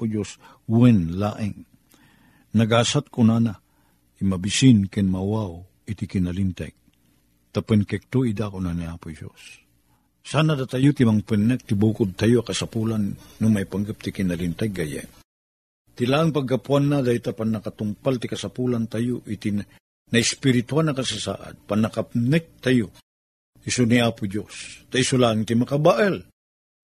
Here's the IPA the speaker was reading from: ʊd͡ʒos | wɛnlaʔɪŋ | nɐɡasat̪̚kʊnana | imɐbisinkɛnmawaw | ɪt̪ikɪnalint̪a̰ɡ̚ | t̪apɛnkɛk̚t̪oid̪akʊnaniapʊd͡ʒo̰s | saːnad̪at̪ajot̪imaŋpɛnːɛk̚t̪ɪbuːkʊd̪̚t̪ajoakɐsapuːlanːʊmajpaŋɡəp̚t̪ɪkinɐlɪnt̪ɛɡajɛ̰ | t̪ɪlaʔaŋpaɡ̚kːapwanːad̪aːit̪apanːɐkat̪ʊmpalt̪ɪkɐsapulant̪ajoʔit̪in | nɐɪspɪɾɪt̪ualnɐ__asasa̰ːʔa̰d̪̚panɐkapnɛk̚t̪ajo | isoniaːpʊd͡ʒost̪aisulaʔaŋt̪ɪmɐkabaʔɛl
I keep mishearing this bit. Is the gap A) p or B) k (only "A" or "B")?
B